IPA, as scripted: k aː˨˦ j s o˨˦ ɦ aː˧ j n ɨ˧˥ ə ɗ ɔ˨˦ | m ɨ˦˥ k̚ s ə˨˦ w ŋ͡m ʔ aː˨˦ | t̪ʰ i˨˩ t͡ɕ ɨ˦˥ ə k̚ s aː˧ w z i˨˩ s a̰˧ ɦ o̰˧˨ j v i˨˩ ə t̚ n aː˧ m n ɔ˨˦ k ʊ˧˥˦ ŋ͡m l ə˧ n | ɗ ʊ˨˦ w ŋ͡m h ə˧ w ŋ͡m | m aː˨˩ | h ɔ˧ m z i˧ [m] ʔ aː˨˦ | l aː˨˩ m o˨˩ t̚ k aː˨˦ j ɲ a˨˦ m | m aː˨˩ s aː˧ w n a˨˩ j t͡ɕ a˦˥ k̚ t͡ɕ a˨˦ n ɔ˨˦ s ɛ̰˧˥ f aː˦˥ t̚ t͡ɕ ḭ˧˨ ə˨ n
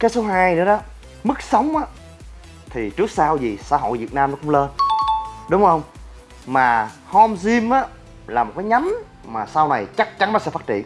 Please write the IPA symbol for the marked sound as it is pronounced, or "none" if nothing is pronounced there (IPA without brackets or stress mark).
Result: m